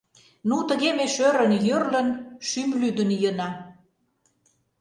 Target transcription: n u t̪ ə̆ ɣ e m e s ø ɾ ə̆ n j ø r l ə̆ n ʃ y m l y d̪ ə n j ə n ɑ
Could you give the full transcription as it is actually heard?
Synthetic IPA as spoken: n u t̪ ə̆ ɣ e m e ʃ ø ɾ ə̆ n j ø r l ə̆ n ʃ y m l y d̪ ə n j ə n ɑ